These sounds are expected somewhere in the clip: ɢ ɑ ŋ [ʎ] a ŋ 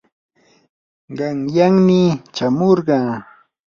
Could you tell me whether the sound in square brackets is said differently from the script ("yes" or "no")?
yes